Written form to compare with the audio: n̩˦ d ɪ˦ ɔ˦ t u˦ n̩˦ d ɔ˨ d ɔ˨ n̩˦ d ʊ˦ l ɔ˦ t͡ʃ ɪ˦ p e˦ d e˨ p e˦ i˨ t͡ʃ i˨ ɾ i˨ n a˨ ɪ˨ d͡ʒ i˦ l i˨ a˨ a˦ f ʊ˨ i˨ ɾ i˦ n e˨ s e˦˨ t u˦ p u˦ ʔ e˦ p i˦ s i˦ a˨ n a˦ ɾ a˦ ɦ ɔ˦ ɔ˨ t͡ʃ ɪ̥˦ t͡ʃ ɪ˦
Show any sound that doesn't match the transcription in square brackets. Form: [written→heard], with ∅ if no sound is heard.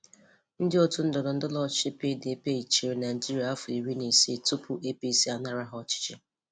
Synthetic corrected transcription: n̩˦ d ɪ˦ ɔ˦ t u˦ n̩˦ d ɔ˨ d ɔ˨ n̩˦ d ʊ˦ l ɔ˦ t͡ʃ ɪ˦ p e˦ d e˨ p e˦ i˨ t͡ʃ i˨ ɾ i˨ n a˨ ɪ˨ d͡ʒ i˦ [l→ɾ] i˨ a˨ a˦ f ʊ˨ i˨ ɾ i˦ n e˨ s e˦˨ t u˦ p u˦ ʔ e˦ p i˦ s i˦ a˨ n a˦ ɾ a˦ ɦ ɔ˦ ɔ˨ t͡ʃ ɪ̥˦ t͡ʃ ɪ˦

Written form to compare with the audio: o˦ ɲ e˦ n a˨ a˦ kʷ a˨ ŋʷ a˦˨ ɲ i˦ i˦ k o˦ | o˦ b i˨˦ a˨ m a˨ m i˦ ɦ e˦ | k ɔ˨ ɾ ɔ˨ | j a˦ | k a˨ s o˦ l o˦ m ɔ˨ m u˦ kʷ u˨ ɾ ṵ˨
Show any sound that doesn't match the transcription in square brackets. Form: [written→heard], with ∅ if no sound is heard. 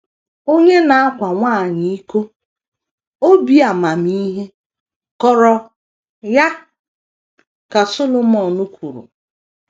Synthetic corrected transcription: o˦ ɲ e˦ n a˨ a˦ kʷ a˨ ŋʷ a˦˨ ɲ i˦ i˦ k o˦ | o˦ b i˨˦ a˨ m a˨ m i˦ ɦ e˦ | k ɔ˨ ɾ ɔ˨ | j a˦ | k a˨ s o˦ l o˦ m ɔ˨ [m→n] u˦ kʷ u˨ ɾ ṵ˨

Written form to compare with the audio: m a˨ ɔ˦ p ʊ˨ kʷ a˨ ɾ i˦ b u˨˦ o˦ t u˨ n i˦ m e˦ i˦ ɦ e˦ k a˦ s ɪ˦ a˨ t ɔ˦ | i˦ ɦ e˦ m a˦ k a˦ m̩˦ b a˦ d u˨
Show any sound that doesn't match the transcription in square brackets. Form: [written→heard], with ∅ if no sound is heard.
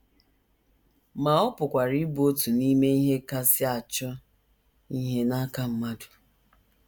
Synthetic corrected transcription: m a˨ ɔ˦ p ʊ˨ kʷ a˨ ɾ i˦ b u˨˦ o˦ t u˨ n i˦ m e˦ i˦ ɦ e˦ k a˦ s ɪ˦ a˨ [t→t͡ʃ] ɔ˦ | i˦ ɦ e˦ [m→n] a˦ k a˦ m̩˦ [b→m] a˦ d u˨

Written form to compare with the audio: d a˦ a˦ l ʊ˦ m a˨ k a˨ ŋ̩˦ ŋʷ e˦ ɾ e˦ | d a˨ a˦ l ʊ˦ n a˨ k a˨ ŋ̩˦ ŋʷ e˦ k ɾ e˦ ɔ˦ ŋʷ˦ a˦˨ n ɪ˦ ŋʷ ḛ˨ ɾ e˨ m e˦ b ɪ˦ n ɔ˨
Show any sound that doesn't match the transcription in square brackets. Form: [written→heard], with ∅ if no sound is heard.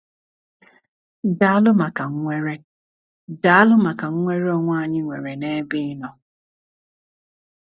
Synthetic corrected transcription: d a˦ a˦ l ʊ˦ m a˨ k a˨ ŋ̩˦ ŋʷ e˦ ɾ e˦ | d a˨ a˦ l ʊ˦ [n→m] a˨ k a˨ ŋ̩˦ ŋʷ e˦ [k→∅] ɾ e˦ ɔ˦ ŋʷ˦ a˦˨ [n→ɲ] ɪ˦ ŋʷ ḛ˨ ɾ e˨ [m→n] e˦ b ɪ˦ n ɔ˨

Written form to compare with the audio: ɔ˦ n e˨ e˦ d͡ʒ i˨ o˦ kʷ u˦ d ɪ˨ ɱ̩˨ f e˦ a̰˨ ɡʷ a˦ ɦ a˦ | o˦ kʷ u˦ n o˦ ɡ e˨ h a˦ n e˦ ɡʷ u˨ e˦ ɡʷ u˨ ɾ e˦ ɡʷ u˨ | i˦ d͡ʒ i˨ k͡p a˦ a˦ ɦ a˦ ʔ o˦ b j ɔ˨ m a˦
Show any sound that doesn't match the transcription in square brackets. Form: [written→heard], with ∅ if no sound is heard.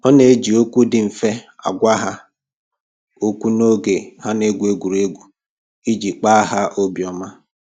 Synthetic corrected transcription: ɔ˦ n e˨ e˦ d͡ʒ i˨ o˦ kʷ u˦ d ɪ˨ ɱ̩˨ f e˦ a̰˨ ɡʷ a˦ ɦ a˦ | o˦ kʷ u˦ n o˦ ɡ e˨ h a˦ n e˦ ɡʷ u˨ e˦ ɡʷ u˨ ɾ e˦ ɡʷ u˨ | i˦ d͡ʒ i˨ k͡p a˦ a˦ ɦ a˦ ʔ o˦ b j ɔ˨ m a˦

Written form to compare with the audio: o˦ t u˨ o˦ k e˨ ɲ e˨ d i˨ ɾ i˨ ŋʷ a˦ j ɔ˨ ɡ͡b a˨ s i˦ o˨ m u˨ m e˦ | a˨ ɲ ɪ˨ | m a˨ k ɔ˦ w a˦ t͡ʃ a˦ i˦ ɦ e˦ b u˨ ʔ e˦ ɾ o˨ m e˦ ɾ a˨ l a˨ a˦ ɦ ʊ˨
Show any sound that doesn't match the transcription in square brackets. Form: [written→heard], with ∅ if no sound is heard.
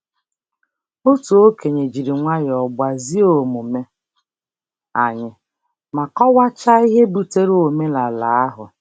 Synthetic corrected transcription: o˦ t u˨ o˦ k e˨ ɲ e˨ [d→d͡ʒ] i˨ ɾ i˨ ŋʷ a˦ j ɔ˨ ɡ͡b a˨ [s→z] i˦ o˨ m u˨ m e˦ | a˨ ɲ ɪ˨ | m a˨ k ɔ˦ w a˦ t͡ʃ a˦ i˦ ɦ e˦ b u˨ [ʔ→t] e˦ ɾ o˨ m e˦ [ɾ→l] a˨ l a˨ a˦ ɦ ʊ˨

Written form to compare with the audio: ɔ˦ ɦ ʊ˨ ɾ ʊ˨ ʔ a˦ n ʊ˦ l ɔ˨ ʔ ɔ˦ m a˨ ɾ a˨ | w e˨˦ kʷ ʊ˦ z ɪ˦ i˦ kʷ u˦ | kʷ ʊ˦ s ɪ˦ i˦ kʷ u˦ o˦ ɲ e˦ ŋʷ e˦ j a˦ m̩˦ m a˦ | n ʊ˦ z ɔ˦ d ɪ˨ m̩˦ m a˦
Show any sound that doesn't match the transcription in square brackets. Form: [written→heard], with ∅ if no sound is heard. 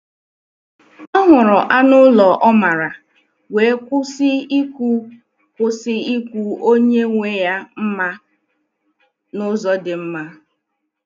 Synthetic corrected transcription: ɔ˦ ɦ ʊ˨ ɾ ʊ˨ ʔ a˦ n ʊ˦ l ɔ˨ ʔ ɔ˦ m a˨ ɾ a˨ | w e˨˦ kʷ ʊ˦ [z→s] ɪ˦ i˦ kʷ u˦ | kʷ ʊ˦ s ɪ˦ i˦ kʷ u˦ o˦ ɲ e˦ ŋʷ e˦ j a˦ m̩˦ m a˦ | n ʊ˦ z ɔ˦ d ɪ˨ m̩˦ m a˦

